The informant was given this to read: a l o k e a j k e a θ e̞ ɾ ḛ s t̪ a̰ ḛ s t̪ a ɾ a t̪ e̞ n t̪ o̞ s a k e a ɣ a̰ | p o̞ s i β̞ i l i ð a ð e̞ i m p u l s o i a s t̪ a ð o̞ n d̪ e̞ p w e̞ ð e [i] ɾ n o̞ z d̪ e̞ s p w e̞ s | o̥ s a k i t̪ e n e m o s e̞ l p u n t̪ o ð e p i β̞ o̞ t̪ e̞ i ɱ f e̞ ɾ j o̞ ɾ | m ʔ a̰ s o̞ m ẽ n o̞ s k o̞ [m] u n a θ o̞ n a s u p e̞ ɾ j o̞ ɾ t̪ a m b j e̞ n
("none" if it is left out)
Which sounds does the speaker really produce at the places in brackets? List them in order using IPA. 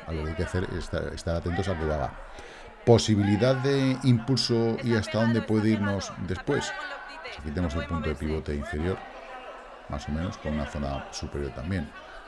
i, n

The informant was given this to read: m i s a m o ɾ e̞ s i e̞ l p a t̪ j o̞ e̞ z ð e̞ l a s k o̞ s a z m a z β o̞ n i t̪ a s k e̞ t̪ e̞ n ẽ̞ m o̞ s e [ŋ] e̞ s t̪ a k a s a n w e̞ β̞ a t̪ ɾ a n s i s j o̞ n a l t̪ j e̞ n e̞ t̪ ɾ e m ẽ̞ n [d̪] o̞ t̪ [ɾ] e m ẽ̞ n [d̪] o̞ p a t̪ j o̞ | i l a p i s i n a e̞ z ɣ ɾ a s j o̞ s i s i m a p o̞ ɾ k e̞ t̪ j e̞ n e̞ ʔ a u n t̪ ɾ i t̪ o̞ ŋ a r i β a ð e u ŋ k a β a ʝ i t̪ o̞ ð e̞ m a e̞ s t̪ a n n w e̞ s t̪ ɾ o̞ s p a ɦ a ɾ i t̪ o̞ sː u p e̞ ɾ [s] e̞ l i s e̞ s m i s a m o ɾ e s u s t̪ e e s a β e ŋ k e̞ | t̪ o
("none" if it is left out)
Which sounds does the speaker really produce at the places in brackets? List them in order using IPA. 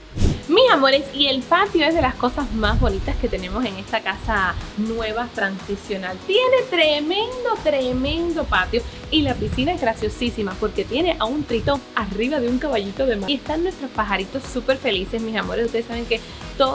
ŋ, d̪, ɾ, d̪, f

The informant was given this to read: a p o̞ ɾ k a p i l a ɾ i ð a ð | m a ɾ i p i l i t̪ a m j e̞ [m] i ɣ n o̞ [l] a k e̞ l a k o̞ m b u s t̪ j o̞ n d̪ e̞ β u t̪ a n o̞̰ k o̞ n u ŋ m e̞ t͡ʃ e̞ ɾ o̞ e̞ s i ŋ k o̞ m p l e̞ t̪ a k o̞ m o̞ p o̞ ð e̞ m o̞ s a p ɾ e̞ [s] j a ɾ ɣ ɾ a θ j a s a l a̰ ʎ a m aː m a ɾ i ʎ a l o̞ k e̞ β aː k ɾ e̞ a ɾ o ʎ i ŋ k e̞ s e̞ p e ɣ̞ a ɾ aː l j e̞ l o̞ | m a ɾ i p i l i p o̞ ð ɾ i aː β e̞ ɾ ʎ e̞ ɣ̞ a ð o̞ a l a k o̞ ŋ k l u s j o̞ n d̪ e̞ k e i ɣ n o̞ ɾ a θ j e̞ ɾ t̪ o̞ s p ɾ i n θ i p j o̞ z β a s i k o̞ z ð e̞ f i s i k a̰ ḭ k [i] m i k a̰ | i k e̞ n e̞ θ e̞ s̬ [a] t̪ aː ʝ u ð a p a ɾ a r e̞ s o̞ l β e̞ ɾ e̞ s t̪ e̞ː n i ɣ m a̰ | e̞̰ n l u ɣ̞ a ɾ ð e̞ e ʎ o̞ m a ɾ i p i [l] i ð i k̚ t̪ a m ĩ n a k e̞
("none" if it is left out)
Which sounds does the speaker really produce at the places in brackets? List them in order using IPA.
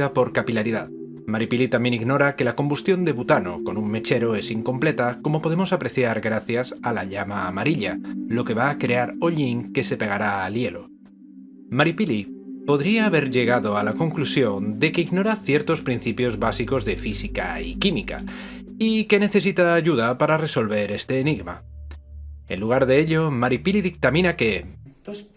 n, ɾ, θ, i, i, l

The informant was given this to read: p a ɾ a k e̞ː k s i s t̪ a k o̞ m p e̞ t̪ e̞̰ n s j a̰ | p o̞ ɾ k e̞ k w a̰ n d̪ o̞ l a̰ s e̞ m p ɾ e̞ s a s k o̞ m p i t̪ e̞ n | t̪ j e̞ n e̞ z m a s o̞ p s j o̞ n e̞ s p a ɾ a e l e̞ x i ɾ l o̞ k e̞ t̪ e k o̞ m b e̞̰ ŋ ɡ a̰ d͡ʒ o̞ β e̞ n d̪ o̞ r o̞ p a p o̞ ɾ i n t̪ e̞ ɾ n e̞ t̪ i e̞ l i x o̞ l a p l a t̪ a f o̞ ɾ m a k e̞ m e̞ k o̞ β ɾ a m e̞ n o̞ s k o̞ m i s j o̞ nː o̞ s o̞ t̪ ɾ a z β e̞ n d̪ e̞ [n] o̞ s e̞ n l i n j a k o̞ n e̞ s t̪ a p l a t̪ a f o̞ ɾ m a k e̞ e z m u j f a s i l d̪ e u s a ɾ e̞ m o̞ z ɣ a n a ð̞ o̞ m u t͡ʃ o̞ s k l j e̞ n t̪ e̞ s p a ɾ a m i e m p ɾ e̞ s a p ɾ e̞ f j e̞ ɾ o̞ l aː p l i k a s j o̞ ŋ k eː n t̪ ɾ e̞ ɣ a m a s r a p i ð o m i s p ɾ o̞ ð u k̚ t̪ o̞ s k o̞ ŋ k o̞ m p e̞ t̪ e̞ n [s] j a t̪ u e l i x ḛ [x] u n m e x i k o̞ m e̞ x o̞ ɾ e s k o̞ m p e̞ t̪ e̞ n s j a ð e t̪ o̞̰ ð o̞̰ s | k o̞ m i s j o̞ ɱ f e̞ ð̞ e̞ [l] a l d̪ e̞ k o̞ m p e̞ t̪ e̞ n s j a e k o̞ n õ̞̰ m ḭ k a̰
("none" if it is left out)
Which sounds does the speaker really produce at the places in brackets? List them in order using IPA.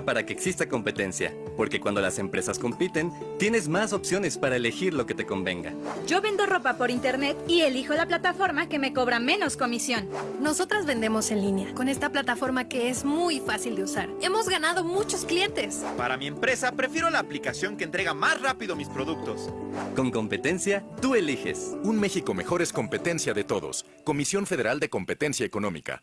m, s, s, ɾ

